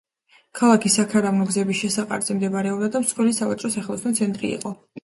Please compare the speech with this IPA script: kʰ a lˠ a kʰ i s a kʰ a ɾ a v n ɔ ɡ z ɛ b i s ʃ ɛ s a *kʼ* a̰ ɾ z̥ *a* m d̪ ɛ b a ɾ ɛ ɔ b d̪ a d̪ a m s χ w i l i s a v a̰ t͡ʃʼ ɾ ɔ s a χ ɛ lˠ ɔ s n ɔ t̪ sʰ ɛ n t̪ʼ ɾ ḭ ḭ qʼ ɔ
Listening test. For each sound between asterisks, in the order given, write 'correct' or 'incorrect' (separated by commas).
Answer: incorrect, incorrect